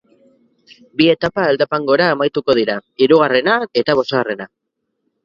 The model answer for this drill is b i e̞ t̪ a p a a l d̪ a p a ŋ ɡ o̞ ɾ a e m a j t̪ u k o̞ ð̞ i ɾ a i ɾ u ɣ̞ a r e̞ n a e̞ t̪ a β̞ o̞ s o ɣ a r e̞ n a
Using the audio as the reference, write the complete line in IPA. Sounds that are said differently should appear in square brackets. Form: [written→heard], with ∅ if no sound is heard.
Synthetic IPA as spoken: b i e̞ t̪ a p a [a→e] l d̪ a p a ŋ ɡ o̞ ɾ a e m a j t̪ u k o̞ ð̞ i ɾ a i ɾ u ɣ̞ a r e̞ n a e̞ t̪ a β̞ o̞ s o ɣ a r e̞ n a